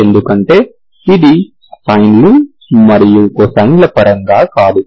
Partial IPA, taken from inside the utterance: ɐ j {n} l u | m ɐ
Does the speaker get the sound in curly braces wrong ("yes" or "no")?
no